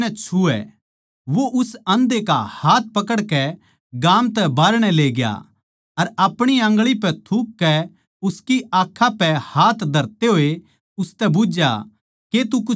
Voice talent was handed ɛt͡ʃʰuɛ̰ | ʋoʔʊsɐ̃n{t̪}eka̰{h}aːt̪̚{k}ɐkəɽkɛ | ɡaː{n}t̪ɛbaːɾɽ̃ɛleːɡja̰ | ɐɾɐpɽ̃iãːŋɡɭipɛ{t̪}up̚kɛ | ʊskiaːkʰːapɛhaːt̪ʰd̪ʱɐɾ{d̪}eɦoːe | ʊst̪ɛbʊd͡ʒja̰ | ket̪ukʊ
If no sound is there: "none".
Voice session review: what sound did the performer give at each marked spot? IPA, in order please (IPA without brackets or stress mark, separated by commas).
d̪, h, p, m, t̪ʰ, t̪